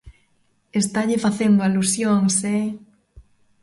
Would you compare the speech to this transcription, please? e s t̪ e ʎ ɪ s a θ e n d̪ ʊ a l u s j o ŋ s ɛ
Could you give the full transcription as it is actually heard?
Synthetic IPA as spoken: e s t̪ a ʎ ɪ f a θ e n d̪ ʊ a l u s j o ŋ s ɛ